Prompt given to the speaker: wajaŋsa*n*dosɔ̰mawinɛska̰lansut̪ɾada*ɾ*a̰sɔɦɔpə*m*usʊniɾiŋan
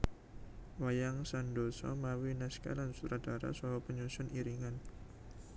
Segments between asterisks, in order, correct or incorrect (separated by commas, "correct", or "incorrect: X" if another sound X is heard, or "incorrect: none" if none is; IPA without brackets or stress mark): correct, correct, incorrect: ɲ